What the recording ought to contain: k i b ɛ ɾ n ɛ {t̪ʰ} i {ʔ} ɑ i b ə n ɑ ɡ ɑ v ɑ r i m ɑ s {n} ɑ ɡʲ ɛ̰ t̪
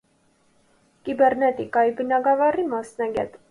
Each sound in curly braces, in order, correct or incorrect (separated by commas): incorrect, incorrect, correct